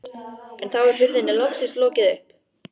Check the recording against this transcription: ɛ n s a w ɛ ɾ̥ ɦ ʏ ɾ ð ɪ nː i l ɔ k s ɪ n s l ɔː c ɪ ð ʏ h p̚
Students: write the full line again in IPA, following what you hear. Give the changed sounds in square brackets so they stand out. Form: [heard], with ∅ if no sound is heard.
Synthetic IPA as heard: ɛ n [θ] a w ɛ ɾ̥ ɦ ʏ ɾ ð ɪ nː [ɪ] l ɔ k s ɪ n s l ɔː c ɪ ð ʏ h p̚